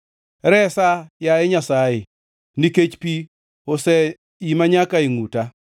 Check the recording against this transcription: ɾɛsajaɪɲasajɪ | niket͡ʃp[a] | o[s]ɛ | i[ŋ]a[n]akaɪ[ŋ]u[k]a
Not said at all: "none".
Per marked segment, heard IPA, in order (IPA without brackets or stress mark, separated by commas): i, s, m, ɲ, ŋ, t